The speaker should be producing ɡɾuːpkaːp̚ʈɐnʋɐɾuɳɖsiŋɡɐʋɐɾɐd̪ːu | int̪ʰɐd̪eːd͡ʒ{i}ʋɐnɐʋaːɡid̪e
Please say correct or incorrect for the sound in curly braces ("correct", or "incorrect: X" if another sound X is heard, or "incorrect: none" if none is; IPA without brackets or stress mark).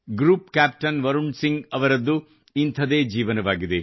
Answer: incorrect: iː